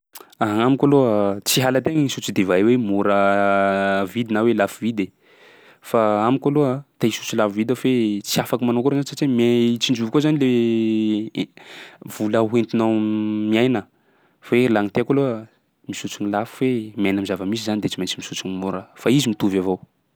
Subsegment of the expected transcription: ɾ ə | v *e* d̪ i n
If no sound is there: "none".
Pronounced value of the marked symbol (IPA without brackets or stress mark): i